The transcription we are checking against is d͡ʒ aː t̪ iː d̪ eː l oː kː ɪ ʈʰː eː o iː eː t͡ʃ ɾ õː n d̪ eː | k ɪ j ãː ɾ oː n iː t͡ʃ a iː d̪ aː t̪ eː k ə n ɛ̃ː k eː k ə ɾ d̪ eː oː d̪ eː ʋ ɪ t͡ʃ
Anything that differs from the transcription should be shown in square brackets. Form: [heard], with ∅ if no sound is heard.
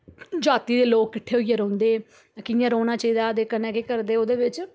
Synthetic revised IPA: d͡ʒ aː t̪ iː d̪ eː l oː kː ɪ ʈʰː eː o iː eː [∅] ɾ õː n d̪ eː | k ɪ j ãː ɾ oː n [aː] t͡ʃ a iː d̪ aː [d̪] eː k ə n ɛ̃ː k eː k ə ɾ d̪ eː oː d̪ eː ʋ ɪ t͡ʃ